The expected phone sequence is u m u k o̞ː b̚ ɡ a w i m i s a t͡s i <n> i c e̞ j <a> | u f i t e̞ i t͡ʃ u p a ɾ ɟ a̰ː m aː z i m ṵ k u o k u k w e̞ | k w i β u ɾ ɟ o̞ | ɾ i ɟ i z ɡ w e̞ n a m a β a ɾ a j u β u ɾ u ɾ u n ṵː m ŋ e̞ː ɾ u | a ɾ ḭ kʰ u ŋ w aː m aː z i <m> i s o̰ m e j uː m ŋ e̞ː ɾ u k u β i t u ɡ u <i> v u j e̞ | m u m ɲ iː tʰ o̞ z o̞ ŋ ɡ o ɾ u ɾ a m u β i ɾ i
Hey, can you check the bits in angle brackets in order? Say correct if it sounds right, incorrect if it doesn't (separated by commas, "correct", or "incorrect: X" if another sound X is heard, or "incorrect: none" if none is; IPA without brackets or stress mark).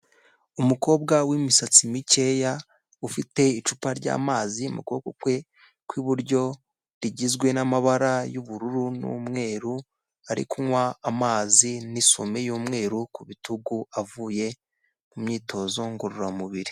incorrect: m, correct, incorrect: n, incorrect: a